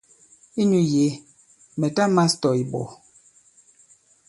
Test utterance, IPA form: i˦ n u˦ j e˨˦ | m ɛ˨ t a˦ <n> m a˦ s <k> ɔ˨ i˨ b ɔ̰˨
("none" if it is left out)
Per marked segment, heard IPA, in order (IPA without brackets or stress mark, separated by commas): none, t